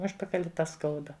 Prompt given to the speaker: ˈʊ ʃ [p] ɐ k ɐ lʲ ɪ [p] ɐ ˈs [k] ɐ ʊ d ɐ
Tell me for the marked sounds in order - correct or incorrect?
correct, incorrect: t, correct

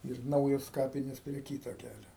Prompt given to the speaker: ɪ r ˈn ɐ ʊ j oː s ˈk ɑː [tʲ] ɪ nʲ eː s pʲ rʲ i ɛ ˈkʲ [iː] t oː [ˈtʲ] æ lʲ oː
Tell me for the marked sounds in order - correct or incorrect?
incorrect: pʲ, correct, incorrect: kʲ

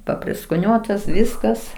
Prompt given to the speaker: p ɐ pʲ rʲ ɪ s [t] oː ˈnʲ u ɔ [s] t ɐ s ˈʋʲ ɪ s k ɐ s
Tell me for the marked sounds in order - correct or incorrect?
incorrect: k, incorrect: none

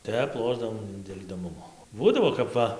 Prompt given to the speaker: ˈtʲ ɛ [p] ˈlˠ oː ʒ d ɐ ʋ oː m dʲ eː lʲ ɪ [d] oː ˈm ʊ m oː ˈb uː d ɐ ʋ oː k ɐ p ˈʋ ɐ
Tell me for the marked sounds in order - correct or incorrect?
correct, correct

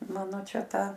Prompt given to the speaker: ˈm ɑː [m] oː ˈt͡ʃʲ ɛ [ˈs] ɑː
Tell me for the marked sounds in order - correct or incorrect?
incorrect: n, incorrect: t

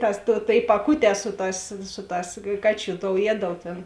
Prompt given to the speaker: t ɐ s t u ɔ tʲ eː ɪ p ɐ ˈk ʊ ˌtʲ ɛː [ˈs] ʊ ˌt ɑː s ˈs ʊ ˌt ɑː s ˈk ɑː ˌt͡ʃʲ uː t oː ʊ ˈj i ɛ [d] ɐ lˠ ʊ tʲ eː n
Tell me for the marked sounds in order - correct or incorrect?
correct, correct

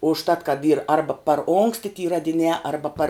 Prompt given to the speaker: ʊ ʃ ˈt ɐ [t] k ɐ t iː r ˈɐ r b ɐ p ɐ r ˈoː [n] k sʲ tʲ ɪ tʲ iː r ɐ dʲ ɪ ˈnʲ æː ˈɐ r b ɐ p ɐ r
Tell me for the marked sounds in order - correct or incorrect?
correct, incorrect: ŋ

